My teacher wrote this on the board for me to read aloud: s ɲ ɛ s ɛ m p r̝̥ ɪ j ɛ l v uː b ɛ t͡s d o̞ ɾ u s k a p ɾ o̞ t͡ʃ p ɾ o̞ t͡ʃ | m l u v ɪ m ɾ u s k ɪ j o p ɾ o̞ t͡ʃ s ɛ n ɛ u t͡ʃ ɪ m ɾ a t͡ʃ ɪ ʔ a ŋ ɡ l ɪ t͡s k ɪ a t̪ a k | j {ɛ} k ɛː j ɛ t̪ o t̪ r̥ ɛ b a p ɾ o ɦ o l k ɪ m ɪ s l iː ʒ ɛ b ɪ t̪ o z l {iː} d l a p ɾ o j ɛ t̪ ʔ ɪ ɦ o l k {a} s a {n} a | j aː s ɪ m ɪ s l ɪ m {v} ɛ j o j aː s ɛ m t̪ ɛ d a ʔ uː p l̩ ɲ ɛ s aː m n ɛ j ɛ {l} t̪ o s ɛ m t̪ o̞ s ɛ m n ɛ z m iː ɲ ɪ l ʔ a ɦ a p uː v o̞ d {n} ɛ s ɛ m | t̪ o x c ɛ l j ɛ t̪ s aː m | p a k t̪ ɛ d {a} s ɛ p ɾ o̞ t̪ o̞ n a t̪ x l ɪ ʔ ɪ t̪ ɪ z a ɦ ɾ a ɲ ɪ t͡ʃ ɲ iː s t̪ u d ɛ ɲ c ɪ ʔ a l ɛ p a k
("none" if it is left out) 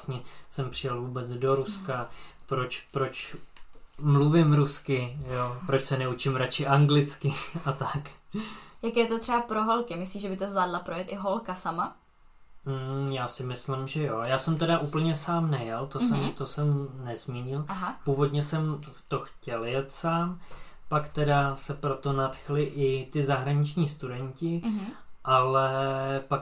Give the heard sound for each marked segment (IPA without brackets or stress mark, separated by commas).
a, aː, a, m, ʒ, l, ɲ, a